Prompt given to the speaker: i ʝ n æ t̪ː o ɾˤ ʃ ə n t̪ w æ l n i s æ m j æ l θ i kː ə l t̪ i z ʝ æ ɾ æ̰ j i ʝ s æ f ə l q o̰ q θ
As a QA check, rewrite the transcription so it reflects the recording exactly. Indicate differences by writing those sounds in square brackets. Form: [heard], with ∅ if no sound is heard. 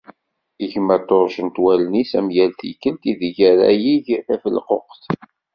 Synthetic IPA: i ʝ [m] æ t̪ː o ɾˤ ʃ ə n t̪ w æ l n i s æ m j æ l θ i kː ə l t̪ i [ð] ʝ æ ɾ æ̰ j i ʝ [θ] æ f ə l q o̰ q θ